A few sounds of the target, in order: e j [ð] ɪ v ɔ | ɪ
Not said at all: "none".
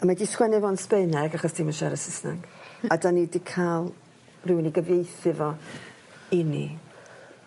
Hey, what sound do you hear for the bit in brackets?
θ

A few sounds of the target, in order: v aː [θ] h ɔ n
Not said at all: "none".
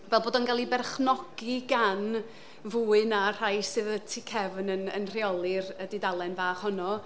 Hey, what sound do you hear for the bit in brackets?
χ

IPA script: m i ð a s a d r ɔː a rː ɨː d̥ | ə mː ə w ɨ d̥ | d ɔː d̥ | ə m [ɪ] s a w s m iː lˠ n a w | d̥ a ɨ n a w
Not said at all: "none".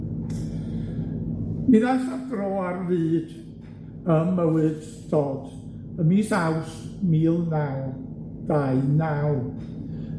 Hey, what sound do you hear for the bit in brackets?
i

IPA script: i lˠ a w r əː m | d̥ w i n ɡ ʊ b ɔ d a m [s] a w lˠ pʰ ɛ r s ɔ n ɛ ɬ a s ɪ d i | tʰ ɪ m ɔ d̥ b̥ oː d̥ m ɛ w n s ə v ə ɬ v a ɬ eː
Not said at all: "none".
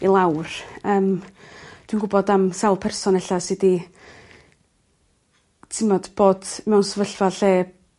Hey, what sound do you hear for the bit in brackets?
s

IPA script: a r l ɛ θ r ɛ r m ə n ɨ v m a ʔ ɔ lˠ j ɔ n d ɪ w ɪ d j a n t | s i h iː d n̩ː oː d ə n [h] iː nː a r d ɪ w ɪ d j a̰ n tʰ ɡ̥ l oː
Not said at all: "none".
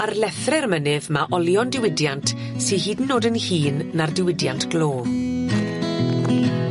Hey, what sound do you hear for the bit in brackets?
h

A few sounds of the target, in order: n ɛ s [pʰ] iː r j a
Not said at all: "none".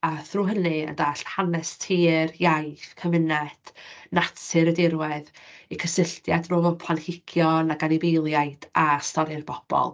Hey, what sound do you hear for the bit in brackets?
tʰ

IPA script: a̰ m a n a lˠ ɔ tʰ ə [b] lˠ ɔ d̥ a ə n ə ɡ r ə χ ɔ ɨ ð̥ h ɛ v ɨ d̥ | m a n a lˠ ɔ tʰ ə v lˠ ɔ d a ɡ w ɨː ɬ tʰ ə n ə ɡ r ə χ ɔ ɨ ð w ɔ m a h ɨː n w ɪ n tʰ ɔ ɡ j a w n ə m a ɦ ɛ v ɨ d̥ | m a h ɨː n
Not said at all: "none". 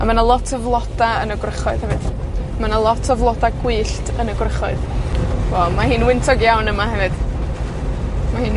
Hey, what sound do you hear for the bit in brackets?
v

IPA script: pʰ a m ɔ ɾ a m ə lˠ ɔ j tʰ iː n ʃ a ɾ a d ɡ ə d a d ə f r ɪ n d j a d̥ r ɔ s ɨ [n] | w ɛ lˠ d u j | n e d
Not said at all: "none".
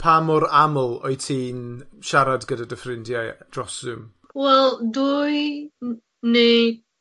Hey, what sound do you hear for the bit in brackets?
m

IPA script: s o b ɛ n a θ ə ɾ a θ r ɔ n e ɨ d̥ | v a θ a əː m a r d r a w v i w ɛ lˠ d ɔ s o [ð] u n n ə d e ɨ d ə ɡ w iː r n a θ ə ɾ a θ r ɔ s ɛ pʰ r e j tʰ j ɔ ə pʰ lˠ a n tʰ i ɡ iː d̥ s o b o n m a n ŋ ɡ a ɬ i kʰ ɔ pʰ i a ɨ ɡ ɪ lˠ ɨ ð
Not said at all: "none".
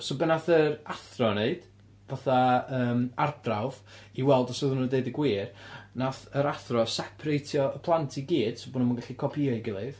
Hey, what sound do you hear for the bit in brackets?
ð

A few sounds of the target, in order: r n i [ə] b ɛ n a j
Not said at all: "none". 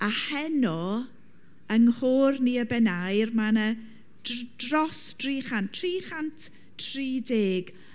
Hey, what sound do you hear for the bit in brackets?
ə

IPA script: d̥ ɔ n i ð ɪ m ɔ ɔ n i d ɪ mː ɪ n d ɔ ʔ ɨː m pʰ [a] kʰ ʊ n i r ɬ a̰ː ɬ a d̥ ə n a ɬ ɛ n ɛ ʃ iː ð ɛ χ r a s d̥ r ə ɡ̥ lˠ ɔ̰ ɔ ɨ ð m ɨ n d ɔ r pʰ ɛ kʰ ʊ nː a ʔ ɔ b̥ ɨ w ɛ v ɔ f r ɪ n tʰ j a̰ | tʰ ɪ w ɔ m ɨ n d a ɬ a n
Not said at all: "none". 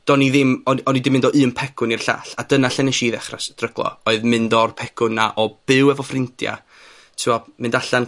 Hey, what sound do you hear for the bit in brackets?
ɛ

